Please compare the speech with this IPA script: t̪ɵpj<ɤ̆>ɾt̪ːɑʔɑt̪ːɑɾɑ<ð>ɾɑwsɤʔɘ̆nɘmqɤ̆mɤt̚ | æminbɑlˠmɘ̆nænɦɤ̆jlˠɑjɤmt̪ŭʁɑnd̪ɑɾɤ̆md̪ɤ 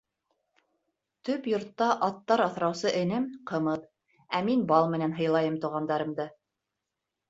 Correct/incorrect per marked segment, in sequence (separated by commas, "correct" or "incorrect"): incorrect, incorrect